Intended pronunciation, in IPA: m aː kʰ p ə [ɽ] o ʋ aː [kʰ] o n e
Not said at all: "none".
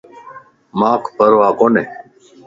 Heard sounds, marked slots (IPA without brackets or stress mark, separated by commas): ɾ, k